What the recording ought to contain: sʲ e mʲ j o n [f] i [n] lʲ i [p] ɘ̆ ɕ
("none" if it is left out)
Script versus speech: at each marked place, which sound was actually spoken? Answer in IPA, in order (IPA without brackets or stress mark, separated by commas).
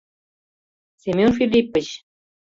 f, none, p